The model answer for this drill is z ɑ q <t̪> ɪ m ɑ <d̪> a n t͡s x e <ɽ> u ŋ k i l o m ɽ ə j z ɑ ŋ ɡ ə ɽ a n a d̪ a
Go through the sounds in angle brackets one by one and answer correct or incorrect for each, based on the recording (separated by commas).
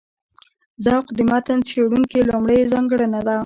incorrect, incorrect, correct